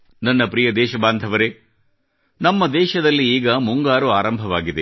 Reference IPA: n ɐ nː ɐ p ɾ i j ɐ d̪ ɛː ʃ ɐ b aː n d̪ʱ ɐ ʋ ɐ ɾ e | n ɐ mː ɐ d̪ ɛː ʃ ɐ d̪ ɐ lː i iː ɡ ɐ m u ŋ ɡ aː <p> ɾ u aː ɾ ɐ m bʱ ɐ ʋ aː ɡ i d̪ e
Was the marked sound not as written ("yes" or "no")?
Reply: yes